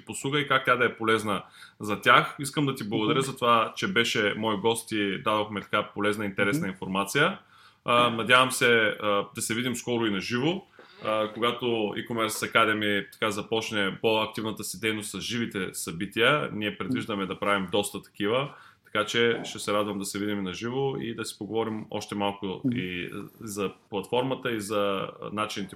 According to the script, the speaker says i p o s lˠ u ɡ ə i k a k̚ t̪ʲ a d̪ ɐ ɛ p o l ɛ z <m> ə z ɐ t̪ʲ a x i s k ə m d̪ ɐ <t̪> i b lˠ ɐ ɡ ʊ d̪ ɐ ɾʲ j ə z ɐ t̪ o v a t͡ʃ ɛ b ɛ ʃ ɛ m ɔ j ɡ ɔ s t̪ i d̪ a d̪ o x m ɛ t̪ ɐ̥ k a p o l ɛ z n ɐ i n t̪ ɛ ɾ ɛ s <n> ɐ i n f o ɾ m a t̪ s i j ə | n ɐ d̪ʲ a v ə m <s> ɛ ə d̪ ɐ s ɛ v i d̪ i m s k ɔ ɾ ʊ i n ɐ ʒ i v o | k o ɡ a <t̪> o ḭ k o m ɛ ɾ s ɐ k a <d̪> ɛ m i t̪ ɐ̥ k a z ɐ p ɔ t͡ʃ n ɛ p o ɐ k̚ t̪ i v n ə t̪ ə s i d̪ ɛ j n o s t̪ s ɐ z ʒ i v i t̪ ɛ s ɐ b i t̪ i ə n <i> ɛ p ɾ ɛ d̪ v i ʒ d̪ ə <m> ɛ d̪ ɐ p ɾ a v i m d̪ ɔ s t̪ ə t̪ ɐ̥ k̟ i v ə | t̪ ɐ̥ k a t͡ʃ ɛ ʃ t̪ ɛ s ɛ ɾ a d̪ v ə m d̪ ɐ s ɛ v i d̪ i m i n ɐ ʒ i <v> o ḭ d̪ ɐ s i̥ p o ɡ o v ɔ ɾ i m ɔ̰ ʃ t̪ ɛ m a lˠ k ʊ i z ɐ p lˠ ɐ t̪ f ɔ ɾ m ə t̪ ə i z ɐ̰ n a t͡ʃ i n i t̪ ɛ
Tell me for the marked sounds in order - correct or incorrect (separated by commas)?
incorrect, correct, correct, correct, correct, correct, correct, correct, correct